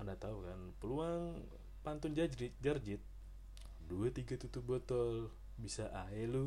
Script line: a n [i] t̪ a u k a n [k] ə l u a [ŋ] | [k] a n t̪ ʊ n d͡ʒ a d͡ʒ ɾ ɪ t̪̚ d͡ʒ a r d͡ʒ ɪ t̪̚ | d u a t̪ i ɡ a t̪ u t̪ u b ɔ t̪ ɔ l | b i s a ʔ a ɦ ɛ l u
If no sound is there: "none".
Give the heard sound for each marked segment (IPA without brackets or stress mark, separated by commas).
a, p, ŋ, p